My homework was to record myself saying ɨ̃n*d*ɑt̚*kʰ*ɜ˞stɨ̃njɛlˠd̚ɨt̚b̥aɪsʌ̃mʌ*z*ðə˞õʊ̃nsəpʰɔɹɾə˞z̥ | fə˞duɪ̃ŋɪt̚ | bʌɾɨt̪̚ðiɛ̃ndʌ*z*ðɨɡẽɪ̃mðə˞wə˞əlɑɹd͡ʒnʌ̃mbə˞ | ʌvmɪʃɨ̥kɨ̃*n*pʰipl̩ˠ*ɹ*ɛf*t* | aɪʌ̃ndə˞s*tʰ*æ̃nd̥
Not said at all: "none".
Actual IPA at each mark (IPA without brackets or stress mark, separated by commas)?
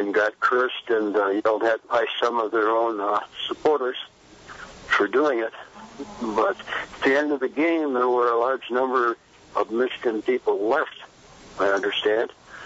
ɡ, kʰ, v, v, n, l, t, t